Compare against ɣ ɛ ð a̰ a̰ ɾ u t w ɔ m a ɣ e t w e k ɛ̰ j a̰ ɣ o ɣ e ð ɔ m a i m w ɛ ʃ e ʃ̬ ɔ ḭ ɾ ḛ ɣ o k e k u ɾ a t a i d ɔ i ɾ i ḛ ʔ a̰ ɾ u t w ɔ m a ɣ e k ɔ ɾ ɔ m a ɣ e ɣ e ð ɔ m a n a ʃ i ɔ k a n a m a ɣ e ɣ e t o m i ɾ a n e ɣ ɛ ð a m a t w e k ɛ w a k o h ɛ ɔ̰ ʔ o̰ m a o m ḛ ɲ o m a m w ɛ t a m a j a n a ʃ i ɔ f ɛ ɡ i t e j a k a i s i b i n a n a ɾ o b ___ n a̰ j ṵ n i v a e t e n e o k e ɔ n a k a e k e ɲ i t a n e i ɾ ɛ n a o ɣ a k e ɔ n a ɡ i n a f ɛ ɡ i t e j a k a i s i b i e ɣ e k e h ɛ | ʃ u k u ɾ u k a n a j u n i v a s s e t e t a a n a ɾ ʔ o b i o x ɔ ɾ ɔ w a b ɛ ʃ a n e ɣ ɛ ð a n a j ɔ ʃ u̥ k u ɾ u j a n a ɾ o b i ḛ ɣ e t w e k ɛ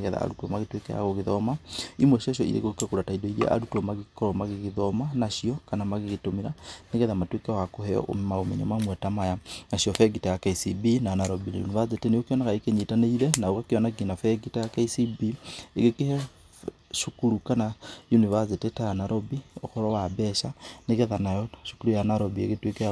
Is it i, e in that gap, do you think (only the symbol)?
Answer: i